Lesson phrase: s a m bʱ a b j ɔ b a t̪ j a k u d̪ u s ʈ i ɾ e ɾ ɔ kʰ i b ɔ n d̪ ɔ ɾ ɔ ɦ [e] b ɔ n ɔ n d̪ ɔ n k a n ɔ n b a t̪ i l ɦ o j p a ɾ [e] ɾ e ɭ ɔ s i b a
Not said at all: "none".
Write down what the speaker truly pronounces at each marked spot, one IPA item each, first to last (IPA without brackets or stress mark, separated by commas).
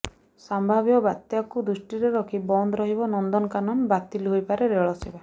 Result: i, e